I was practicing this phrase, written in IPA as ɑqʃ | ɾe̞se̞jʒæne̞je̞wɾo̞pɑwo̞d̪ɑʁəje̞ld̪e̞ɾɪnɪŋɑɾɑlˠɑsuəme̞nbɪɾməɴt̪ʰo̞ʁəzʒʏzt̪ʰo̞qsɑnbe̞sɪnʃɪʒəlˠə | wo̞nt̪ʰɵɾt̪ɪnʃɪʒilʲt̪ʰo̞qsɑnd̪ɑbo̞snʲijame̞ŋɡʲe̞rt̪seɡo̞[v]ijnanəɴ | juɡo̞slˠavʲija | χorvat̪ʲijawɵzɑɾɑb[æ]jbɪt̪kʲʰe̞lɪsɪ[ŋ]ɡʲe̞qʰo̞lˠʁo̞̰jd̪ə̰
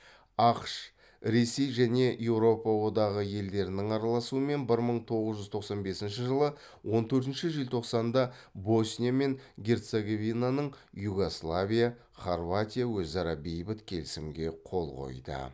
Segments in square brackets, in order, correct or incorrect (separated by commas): correct, incorrect, incorrect